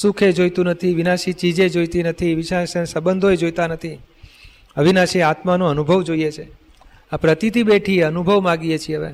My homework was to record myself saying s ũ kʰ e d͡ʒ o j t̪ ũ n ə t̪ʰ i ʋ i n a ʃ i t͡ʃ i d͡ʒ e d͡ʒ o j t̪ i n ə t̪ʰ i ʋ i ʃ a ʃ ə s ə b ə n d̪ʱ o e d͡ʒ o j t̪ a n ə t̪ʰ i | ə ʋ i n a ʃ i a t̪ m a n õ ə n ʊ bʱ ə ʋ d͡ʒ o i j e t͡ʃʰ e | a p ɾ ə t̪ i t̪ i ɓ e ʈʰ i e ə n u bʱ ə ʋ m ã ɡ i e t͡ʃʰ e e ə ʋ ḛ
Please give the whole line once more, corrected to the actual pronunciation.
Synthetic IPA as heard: s u kʰ e d͡ʒ o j t̪ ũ n ə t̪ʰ i ʋ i n a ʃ i t͡ʃ i d͡ʒ e d͡ʒ o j t̪ i n ə t̪ʰ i ʋ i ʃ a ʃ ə s ə b ə n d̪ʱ o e d͡ʒ o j t̪ a n ə t̪ʰ i | ə ʋ i n a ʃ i a t̪ m a n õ ə n u bʱ ə ʋ d͡ʒ o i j e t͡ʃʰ e | a p ɾ ə t̪ i t̪ i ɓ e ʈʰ i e ə n u bʱ ə ʋ m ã ɡ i e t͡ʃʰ i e ə ʋ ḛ